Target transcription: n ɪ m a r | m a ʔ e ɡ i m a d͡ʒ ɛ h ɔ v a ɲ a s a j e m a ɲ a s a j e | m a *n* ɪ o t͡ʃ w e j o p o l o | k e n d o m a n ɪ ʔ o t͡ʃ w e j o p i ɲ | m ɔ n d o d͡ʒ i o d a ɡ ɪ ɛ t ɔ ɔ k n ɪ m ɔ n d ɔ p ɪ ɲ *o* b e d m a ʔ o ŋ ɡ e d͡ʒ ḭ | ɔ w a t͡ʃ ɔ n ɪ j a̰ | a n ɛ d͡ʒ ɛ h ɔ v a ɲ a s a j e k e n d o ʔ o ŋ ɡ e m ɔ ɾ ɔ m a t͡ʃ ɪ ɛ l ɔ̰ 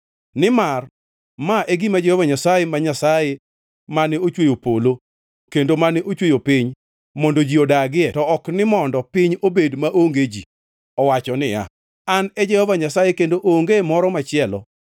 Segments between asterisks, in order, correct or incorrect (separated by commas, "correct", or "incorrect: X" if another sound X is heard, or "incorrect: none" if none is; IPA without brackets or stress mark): correct, correct